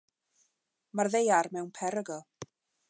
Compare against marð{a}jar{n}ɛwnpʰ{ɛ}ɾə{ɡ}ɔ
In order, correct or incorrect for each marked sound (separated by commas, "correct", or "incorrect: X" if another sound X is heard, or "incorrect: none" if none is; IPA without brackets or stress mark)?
incorrect: e, incorrect: m, correct, correct